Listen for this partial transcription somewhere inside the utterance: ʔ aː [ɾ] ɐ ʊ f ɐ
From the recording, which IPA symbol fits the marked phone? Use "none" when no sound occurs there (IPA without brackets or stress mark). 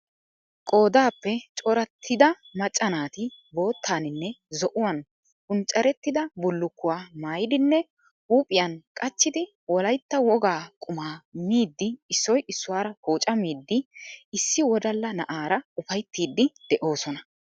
ɾ